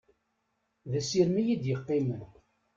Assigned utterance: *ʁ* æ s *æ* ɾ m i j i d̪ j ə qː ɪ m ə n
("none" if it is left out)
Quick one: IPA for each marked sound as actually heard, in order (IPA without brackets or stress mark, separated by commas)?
ð, i